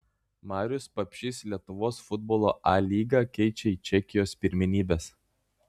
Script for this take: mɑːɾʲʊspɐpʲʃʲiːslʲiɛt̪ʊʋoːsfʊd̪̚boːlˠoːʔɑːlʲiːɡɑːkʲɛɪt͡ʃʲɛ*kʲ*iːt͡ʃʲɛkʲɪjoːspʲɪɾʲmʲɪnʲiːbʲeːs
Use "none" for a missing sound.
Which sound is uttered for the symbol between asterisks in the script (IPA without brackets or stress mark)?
none